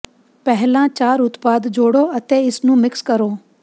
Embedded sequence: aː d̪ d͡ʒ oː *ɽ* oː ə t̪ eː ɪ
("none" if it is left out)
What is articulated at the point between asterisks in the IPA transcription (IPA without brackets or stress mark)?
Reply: ɽ